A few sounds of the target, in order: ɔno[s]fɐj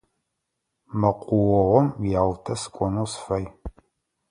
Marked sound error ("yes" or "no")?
no